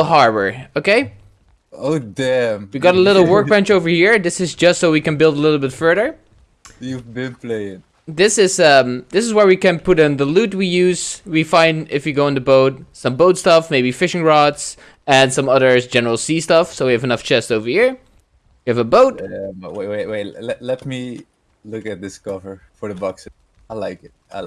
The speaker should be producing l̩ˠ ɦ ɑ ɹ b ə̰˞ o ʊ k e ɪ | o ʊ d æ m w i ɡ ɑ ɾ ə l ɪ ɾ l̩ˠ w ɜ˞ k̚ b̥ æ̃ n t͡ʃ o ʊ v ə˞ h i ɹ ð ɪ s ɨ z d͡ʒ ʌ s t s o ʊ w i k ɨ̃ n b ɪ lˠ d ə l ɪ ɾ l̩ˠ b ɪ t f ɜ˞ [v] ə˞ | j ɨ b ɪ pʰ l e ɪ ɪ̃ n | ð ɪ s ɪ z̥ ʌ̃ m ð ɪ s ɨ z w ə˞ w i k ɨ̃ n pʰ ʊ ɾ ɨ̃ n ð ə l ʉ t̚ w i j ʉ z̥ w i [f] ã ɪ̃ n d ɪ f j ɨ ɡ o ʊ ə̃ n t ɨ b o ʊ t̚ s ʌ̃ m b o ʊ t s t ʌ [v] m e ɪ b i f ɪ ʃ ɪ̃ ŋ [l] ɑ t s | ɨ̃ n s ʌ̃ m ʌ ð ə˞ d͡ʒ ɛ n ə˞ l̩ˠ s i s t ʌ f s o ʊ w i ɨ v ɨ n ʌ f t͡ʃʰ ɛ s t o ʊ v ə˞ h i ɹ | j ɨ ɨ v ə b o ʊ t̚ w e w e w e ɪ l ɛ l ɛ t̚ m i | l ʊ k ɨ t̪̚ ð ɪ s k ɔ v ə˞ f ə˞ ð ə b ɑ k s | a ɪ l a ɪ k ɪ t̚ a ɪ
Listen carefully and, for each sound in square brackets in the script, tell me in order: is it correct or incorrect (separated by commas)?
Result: incorrect, correct, incorrect, incorrect